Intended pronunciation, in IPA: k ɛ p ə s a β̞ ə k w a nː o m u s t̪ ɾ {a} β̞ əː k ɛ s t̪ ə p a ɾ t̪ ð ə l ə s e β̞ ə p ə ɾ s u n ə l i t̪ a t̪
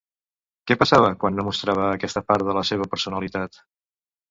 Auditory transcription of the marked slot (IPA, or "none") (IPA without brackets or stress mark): a